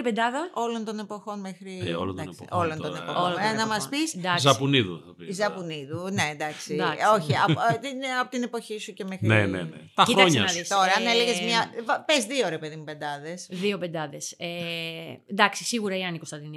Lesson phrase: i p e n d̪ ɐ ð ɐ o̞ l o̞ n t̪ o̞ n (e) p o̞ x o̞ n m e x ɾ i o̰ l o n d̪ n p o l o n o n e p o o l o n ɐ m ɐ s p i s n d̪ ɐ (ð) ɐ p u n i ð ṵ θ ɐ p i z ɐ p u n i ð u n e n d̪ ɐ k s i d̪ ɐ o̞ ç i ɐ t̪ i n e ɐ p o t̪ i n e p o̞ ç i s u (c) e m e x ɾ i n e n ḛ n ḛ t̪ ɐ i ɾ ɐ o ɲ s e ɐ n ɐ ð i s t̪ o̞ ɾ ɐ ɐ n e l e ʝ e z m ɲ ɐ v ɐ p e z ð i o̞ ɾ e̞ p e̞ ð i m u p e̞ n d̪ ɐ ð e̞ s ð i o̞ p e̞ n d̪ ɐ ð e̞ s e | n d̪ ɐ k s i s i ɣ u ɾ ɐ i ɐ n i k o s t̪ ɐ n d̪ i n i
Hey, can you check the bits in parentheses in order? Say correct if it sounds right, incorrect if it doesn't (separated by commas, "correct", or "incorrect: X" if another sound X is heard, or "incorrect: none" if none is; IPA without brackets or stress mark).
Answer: correct, incorrect: z, correct